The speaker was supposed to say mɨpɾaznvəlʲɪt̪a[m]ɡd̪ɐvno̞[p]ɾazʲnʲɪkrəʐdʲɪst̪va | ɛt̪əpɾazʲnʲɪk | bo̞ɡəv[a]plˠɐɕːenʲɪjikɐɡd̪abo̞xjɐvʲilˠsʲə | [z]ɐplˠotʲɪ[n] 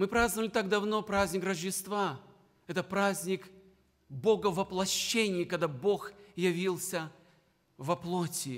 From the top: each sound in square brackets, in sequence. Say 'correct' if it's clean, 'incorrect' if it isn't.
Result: incorrect, correct, incorrect, incorrect, incorrect

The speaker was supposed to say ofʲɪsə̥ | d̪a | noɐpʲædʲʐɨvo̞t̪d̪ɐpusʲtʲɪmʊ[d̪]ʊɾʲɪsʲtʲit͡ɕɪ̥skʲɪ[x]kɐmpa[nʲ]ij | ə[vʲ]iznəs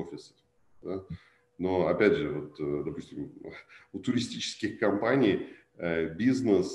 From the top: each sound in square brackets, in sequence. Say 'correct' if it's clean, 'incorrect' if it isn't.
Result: incorrect, correct, correct, incorrect

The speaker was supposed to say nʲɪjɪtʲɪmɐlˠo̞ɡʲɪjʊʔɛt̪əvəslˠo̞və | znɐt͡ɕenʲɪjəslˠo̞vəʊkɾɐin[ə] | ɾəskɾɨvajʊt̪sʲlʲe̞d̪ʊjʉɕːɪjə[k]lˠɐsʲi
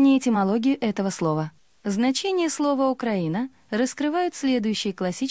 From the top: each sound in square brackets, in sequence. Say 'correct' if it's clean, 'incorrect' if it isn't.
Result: correct, correct

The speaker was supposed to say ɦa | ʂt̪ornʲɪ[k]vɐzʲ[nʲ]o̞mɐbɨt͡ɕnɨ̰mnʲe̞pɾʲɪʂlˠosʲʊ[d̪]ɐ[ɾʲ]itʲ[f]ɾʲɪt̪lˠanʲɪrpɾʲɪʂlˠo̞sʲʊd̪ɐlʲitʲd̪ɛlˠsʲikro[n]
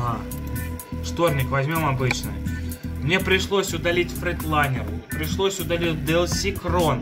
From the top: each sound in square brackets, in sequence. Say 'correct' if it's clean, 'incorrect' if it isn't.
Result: correct, incorrect, correct, incorrect, correct, correct

